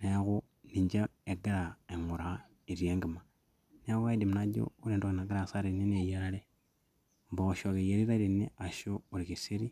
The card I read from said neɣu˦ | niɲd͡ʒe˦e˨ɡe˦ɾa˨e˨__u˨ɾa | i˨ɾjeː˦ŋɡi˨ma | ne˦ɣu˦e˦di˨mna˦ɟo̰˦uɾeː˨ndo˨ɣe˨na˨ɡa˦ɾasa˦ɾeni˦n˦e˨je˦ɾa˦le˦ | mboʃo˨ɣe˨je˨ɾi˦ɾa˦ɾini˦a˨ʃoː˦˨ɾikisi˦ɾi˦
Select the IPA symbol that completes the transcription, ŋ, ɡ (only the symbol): ŋ